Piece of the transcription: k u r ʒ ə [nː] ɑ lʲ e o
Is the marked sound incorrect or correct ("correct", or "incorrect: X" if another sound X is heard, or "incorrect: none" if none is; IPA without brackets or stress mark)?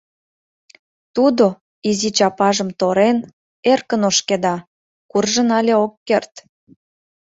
incorrect: n